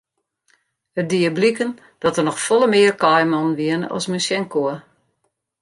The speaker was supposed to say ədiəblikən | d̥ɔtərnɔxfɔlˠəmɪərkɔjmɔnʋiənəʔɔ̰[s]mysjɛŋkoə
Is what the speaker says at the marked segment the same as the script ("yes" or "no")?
yes